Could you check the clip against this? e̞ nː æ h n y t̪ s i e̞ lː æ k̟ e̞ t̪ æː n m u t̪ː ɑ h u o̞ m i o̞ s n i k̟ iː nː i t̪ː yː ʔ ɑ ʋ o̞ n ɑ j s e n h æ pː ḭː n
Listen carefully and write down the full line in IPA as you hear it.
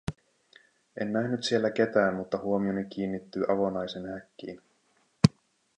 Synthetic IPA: e̞ nː æ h n y t̪ s i e̞ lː æ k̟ e̞ t̪ æː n m u t̪ː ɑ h u o̞ m i o̞ n i k̟ iː nː i t̪ː yː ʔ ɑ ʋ o̞ n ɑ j s e n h æ kː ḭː n